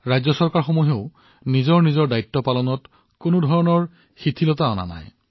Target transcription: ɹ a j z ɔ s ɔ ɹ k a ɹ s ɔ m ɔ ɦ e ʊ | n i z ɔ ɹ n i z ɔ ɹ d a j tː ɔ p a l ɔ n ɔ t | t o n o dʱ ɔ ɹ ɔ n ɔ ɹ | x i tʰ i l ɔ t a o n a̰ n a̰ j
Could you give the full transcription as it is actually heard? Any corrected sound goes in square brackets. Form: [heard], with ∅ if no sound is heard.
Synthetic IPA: ɹ a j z ɔ s ɔ ɹ k a ɹ [x] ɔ m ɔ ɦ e ʊ | n i z ɔ ɹ n i z ɔ ɹ d a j tː ɔ p a l ɔ n ɔ t | [k] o n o dʱ ɔ ɹ ɔ n ɔ ɹ | x i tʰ i l ɔ t a [ɔ] n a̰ n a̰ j